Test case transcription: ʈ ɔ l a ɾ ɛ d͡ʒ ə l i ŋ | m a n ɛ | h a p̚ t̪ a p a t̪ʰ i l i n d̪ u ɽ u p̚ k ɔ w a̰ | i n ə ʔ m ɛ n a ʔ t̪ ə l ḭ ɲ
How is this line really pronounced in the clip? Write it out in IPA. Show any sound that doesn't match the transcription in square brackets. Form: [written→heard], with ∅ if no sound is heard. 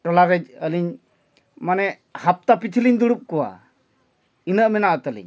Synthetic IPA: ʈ ɔ l a ɾ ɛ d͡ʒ ə l i [ŋ→ɲ] | m a n ɛ | h a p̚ t̪ a p [a→i] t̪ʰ i l i [n→ɲ] d̪ u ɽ u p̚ k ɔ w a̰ | i n ə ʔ m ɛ n a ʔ t̪ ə l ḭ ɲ